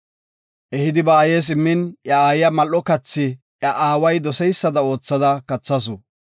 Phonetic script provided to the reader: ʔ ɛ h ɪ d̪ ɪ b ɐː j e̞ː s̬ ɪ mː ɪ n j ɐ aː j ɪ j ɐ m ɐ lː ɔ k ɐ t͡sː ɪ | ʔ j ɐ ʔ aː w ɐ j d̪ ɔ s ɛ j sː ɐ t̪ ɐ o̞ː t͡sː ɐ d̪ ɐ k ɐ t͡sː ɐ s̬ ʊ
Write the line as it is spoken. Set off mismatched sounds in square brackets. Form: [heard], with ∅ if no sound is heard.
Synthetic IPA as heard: ʔ ɛ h ɪ d̪ ɪ b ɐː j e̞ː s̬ ɪ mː ɪ n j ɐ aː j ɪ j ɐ m ɐ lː ɔ k ɐ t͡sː ɪ | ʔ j ɐ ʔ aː w ɐ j d̪ ɔ s ɛ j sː ɐ [d̪] ɐ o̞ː t͡sː ɐ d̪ ɐ k ɐ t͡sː ɐ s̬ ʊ